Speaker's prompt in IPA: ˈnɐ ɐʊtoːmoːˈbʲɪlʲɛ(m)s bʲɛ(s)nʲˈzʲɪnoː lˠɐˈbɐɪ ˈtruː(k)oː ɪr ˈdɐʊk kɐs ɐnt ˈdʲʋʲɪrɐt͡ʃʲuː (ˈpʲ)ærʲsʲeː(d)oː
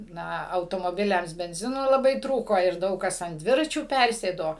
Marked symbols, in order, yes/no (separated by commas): yes, no, yes, yes, yes